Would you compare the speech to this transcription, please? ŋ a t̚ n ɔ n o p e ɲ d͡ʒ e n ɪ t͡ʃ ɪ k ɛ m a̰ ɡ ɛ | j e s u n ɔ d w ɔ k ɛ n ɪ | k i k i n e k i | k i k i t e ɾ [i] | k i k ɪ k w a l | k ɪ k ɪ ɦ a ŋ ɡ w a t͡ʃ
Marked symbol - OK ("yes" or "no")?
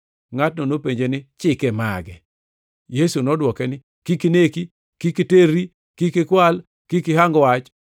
yes